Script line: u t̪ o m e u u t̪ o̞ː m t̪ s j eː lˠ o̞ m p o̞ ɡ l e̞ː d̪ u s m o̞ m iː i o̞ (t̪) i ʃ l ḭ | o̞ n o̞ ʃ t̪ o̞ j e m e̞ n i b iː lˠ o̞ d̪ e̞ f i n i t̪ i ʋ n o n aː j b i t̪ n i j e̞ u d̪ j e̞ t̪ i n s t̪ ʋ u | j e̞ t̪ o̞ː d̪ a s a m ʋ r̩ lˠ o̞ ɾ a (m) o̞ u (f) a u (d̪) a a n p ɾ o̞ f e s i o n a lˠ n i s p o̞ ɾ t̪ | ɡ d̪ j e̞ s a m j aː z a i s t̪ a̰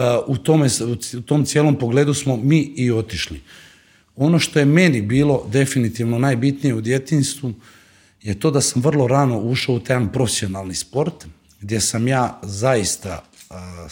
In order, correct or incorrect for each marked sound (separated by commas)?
correct, incorrect, incorrect, incorrect